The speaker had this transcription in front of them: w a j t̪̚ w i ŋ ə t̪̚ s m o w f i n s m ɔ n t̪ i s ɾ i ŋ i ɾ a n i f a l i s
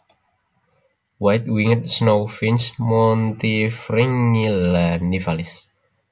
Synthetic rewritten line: w a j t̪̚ w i ŋ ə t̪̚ s n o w f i n s m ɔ n t̪ i f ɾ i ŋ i l a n i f a l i s

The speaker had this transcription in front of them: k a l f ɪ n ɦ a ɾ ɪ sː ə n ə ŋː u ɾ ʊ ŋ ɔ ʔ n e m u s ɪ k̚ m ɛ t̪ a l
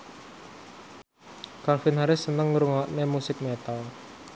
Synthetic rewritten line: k a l f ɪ n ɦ a ɾ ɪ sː ə n ə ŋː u ɾ u ŋ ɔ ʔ n e m u s ɪ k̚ m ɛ t̪ a l

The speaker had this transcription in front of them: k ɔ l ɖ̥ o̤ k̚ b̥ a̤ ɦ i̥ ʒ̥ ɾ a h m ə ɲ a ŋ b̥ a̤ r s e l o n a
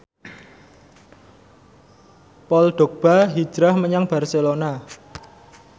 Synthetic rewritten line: p ɔ l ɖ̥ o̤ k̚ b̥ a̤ ɦ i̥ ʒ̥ ɾ a h m ə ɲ a ŋ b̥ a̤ r s e l o n a

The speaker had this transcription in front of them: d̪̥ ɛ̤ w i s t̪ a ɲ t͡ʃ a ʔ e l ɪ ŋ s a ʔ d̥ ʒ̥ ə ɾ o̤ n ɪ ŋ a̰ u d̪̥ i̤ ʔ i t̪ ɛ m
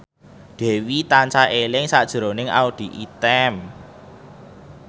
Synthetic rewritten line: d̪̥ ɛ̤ w i t̪ a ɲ t͡ʃ a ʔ e l ɪ ŋ s a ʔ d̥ ʒ̥ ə ɾ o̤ n ɪ ŋ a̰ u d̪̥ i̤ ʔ i t̪ ɛ m

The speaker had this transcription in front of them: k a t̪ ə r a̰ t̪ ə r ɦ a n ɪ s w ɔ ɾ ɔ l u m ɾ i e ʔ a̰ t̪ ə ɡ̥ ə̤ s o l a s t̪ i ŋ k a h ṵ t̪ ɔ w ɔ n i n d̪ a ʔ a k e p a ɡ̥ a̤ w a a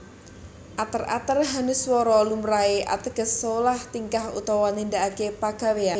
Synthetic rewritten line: ʔ a t̪ ə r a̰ t̪ ə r ɦ a n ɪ s w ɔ ɾ ɔ l u m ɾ a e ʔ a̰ t̪ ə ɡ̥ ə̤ s o l a h t̪ i ŋ k a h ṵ t̪ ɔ w ɔ n i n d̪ a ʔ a k e p a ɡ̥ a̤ w e a

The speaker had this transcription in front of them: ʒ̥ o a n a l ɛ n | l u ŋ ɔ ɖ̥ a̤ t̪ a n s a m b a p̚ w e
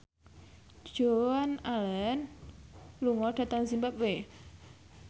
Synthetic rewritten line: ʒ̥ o a n a l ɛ n | l u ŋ ɔ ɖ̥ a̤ t̪ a ŋ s i m b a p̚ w e

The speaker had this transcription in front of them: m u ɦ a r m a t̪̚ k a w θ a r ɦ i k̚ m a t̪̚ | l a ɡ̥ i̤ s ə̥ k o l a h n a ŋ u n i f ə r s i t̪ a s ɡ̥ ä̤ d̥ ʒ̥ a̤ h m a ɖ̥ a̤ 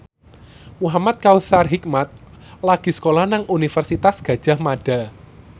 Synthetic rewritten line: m u ɦ a m a t̪̚ k a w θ a r ɦ i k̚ m a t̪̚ | l a ɡ̥ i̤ s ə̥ k o l a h n a ŋ u n i f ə r s i t̪ a s ɡ̥ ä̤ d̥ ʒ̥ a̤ h m a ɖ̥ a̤

